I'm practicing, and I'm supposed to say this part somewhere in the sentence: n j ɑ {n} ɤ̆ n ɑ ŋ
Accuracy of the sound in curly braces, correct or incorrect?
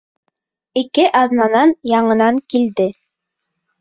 incorrect